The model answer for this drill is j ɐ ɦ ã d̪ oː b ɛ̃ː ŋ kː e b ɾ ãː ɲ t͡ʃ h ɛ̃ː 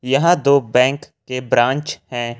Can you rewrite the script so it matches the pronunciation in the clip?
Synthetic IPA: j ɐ ɦ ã d̪ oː b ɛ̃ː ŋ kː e b ɾ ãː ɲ t͡ʃ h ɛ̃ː